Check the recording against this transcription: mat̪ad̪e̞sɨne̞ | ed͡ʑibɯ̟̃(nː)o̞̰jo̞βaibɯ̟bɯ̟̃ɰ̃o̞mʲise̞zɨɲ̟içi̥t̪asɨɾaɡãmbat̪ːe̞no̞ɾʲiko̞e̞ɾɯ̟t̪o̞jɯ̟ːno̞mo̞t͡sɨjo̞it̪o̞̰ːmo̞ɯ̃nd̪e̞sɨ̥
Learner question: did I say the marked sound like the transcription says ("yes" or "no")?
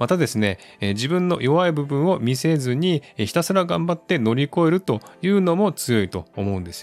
yes